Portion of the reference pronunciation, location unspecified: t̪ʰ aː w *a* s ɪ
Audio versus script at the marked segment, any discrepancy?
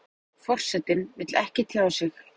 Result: no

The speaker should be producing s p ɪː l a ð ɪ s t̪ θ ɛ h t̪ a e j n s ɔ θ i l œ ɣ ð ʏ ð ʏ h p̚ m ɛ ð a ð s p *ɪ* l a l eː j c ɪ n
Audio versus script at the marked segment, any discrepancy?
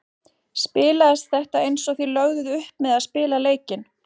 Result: yes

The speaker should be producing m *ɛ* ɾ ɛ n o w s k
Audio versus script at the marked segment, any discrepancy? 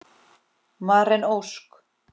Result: yes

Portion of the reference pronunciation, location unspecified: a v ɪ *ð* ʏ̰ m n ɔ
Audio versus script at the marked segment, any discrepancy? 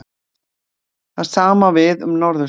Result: no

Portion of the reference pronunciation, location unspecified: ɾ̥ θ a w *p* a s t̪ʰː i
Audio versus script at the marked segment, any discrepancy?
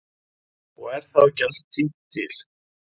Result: yes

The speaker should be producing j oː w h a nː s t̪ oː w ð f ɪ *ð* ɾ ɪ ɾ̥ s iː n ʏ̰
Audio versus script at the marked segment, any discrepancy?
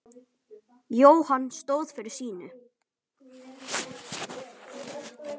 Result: yes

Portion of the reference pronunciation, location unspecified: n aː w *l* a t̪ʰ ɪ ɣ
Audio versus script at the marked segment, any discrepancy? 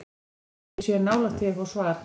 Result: no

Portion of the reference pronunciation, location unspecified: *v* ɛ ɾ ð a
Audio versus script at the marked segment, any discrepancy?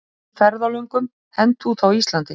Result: yes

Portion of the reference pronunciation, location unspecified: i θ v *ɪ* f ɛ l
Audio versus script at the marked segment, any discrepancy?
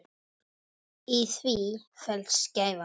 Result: yes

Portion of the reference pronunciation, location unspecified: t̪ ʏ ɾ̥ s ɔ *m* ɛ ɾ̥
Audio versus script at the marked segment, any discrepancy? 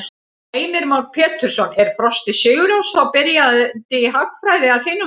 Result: yes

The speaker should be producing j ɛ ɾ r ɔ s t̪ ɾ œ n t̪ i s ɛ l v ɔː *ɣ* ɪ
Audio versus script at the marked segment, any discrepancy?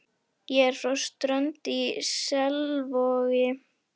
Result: no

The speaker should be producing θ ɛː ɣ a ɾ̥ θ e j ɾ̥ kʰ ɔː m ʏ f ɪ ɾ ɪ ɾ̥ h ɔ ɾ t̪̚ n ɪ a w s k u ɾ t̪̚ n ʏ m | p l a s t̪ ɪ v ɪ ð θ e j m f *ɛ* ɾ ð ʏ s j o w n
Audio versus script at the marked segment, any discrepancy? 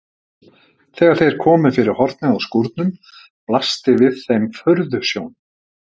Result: yes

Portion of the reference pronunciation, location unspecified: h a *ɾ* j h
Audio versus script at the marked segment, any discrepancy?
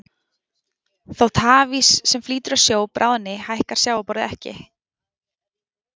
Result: yes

